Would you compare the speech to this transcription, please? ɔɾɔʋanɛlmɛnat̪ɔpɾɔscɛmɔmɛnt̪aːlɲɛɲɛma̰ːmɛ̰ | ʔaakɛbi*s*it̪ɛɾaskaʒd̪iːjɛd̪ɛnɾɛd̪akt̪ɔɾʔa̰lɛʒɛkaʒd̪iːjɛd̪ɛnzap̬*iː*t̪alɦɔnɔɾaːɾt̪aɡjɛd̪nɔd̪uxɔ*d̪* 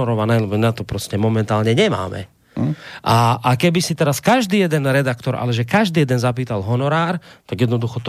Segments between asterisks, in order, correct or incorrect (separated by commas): correct, correct, incorrect